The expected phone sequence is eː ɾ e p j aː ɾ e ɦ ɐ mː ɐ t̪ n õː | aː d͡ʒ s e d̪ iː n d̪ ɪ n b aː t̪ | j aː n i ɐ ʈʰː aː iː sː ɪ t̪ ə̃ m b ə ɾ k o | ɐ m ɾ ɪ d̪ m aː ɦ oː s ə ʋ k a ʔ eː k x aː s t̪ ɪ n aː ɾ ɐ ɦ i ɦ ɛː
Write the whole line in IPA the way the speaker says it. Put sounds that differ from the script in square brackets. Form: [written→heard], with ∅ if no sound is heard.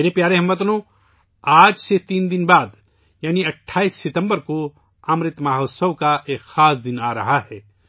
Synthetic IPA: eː ɾ e p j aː ɾ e ɦ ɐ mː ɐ t̪ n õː | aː d͡ʒ s e [d̪→t̪] iː n d̪ ɪ n b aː [t̪→d̪] | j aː n i ɐ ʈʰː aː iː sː ɪ t̪ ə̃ m b ə ɾ k o | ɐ m ɾ ɪ [d̪→t̪] m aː ɦ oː s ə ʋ k a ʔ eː k x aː s [t̪→d̪] ɪ n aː ɾ ɐ ɦ [i→a] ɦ ɛː